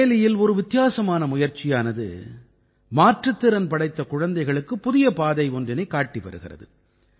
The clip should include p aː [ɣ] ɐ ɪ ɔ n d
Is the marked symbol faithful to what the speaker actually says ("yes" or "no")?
no